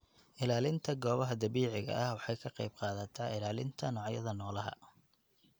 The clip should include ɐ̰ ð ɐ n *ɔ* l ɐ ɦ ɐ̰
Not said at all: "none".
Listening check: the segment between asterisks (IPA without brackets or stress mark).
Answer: ɔː